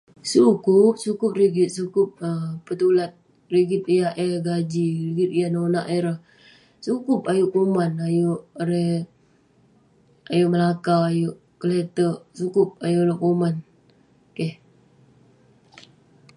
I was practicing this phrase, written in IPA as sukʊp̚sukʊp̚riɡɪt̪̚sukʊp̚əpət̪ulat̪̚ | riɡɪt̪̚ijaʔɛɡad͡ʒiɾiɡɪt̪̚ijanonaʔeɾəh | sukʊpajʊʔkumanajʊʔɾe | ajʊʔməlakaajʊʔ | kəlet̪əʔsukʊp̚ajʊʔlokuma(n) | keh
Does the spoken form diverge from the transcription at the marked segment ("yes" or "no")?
no